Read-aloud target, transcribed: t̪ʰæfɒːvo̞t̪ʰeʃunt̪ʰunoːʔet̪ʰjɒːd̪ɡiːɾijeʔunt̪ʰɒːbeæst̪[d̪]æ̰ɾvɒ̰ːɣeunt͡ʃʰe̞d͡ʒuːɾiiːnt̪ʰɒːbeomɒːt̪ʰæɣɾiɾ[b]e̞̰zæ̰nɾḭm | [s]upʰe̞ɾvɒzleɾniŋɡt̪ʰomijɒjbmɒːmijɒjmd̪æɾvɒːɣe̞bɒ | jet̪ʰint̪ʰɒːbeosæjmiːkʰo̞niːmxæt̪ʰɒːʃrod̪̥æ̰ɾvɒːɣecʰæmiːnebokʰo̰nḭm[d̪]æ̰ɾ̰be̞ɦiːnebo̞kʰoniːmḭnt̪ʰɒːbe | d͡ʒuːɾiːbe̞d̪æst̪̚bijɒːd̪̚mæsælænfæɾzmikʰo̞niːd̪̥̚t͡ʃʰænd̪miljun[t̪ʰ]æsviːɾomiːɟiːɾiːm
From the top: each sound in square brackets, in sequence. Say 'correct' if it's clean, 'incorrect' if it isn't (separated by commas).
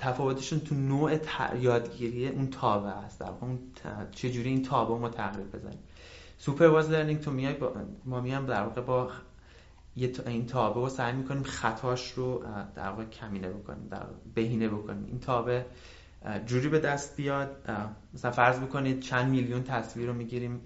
correct, correct, correct, correct, correct